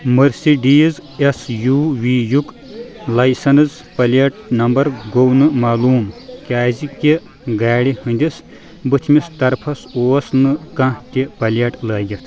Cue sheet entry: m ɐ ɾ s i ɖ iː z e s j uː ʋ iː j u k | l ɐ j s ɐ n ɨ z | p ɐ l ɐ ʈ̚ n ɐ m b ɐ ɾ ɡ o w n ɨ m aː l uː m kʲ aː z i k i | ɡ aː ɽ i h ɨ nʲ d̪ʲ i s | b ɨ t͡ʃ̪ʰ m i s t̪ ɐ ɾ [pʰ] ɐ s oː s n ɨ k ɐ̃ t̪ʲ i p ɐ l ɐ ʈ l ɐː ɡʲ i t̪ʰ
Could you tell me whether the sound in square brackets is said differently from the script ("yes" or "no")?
no